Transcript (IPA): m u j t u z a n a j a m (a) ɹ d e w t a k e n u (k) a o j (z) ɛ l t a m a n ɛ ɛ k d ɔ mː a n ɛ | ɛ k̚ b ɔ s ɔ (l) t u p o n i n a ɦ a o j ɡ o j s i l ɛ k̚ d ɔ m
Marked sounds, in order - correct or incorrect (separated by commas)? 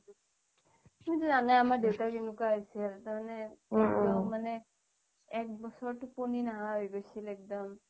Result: correct, correct, incorrect, incorrect